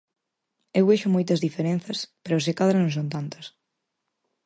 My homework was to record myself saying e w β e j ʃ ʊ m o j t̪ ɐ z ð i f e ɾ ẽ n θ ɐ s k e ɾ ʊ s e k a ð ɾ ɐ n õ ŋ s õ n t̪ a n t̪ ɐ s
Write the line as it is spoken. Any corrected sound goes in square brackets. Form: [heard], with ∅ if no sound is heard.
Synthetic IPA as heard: e w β e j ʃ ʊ m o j t̪ ɐ z ð i f e ɾ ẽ n θ ɐ s [p] e ɾ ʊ s e k a ð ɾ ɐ n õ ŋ s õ n t̪ a n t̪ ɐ s

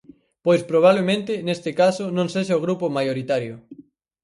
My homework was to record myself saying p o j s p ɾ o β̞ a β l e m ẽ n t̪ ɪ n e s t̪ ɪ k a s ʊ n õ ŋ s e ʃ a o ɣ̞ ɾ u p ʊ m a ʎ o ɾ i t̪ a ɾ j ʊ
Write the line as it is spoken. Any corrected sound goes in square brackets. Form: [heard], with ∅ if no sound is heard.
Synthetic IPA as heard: p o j s p ɾ o β̞ a β l e m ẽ n t̪ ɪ n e s t̪ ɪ k a s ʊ n õ ŋ s e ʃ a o ɣ̞ ɾ u p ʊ m a [j] o ɾ i t̪ a ɾ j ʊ

